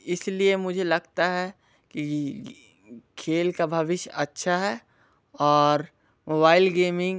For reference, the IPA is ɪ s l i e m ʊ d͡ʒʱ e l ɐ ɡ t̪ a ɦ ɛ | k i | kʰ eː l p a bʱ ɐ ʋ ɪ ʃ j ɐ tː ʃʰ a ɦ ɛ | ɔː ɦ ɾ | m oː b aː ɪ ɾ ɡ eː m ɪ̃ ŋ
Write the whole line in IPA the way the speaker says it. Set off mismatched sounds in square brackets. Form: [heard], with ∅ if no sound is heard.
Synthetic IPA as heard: ɪ s l i e m ʊ d͡ʒʱ e l ɐ ɡ t̪ a ɦ ɛ | k i | kʰ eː l [k] a bʱ ɐ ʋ ɪ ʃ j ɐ tː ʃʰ a ɦ ɛ | ɔː [∅] ɾ | m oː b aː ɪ [l] ɡ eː m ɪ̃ ŋ